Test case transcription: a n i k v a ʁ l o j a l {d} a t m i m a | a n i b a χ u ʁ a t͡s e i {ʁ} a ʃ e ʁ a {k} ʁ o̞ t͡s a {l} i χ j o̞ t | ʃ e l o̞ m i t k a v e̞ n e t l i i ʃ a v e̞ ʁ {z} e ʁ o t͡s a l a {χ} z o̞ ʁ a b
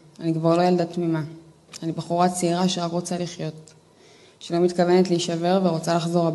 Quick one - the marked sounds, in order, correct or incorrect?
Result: correct, correct, correct, correct, incorrect: v, correct

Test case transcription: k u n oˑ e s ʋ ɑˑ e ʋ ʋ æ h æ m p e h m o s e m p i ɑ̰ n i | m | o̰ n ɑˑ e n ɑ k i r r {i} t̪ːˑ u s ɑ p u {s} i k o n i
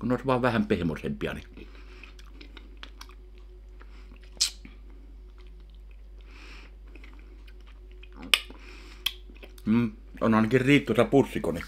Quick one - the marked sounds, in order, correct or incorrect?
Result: incorrect: iː, incorrect: sː

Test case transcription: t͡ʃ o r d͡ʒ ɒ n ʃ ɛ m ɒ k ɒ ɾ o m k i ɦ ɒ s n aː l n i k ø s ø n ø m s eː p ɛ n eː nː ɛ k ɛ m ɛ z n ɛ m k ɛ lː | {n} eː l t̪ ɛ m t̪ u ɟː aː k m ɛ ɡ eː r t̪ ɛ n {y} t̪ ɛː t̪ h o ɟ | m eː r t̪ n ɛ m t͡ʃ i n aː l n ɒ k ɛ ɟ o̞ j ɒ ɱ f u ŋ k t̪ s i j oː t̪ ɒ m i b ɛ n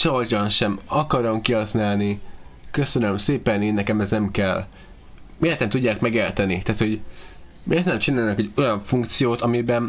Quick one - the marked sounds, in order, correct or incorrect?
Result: incorrect: m, incorrect: i

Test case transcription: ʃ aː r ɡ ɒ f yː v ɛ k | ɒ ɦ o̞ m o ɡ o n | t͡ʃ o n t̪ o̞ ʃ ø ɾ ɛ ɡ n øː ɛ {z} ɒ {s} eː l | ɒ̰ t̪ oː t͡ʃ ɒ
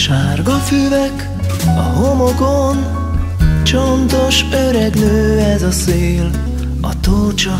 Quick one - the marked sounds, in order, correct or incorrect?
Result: correct, correct

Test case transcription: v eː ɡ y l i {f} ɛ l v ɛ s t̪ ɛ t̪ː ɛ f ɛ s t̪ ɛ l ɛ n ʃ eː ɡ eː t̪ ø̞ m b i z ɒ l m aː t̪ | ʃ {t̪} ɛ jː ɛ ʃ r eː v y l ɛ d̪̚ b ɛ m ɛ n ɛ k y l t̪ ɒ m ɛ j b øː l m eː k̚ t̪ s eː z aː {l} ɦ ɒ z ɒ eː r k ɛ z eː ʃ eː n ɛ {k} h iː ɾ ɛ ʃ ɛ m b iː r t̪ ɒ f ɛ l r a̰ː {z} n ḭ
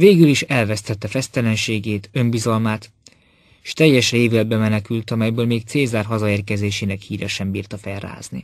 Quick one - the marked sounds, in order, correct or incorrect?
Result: incorrect: ʃ, correct, incorrect: r, correct, correct

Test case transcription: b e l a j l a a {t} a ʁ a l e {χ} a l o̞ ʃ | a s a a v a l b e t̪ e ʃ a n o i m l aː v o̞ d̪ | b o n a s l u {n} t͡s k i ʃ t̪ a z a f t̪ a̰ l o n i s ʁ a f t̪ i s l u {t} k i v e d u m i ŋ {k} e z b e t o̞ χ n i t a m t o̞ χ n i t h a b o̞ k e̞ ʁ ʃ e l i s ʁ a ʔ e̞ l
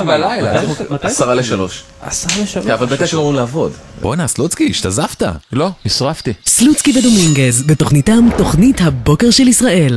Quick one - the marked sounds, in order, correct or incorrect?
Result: incorrect: s, incorrect: ʃ, incorrect: none, incorrect: t͡s, incorrect: ɡ

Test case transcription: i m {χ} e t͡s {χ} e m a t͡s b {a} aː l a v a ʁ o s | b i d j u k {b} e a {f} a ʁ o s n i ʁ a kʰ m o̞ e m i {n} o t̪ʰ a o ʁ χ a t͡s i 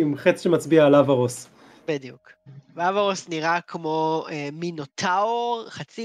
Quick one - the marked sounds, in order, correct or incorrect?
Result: correct, incorrect: ʃ, incorrect: i, incorrect: v, incorrect: v, correct

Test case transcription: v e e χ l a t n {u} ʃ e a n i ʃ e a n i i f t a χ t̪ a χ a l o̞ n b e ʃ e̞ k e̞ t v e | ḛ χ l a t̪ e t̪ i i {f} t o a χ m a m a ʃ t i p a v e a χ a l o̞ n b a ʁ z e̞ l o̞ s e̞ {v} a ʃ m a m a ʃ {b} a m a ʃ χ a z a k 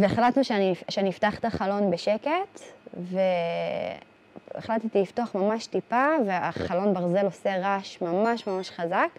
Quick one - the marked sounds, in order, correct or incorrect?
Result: correct, correct, incorrect: ʁ, incorrect: m

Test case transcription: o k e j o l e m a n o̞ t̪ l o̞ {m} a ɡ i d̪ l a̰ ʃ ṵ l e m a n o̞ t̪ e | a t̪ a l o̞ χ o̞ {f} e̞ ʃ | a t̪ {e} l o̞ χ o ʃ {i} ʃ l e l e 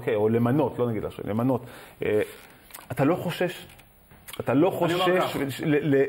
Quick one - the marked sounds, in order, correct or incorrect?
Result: incorrect: n, incorrect: ʃ, incorrect: a, incorrect: e

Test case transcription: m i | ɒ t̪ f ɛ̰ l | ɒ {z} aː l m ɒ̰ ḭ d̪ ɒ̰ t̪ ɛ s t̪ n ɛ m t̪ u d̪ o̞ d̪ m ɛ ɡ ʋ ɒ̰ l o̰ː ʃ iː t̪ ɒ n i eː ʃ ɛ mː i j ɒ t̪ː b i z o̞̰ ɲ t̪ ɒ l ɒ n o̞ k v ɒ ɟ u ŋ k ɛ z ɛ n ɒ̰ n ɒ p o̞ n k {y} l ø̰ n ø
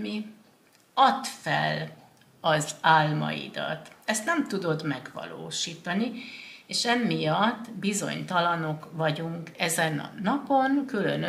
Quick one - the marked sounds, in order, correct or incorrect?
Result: correct, correct

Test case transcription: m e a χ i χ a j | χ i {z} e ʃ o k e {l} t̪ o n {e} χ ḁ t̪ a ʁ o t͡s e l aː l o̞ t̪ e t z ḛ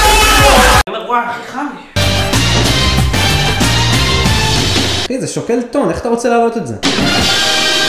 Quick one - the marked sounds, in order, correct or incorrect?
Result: correct, correct, correct

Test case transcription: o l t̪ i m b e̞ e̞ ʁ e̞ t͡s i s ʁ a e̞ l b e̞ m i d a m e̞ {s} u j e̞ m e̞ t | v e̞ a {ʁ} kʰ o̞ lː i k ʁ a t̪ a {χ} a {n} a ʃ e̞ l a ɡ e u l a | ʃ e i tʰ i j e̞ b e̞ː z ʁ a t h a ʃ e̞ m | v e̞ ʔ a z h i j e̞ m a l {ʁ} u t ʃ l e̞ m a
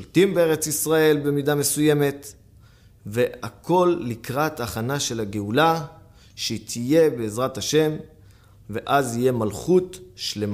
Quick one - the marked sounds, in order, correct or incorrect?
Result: correct, incorrect: none, correct, correct, incorrect: χ

